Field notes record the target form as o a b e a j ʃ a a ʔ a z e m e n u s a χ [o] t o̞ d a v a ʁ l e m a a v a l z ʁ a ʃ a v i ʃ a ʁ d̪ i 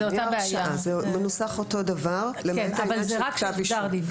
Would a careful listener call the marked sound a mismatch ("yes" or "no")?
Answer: no